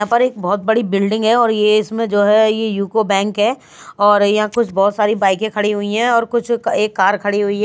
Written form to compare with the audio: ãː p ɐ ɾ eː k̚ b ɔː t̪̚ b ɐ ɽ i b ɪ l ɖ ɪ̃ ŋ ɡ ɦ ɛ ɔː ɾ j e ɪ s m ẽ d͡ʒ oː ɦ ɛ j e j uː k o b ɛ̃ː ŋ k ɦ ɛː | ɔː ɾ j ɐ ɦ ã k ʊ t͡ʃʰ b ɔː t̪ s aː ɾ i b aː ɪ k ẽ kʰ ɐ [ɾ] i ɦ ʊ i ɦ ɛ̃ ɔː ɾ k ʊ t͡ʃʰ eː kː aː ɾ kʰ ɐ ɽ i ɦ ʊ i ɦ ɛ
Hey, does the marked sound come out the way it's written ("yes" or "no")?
no